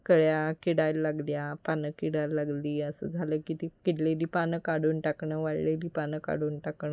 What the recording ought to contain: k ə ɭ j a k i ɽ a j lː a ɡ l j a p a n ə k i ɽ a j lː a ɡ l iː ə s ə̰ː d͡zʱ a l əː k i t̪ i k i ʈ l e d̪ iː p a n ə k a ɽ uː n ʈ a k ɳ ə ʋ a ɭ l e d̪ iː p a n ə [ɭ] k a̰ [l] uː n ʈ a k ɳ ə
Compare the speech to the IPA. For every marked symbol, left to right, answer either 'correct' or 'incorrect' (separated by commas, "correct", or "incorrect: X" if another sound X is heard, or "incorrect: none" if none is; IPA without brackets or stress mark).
incorrect: none, incorrect: ɽ